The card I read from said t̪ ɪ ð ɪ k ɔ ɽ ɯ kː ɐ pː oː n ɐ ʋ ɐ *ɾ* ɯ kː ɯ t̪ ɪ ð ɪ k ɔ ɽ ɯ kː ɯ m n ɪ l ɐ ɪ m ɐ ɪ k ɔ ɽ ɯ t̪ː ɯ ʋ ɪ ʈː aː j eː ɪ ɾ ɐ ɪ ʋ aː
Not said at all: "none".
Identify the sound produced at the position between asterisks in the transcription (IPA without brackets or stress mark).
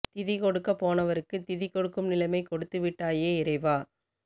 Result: ɾ